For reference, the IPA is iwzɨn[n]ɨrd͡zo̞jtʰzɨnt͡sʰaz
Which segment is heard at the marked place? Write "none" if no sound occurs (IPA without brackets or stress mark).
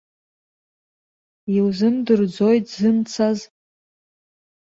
d